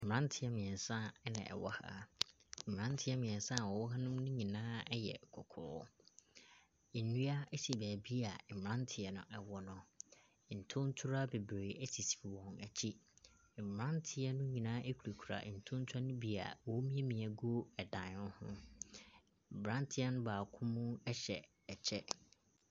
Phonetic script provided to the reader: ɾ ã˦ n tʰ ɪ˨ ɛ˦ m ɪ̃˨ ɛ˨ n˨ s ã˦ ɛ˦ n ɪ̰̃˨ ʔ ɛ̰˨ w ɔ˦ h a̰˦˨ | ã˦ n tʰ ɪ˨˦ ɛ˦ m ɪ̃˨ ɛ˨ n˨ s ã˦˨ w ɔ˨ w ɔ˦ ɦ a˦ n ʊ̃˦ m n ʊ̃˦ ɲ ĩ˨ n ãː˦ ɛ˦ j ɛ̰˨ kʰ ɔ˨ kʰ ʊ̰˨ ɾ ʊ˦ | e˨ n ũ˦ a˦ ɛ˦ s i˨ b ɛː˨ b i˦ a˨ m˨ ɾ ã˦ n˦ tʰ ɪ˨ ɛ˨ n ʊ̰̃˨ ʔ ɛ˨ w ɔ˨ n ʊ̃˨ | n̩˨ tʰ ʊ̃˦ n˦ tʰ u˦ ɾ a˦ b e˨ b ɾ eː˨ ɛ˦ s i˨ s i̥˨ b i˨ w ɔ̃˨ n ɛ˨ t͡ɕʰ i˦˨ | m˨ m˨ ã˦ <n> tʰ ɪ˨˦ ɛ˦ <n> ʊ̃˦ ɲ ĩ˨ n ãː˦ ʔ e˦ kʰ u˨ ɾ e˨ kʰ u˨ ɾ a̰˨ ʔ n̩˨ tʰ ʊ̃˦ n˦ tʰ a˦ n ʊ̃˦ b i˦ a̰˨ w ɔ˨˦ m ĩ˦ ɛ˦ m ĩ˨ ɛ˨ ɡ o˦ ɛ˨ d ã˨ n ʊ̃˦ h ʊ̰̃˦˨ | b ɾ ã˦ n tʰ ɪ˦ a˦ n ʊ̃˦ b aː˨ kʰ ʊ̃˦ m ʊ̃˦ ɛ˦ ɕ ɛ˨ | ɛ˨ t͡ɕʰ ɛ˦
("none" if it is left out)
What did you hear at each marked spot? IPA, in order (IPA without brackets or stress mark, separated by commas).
n, n